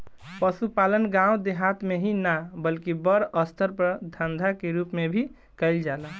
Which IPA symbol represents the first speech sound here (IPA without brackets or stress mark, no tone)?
p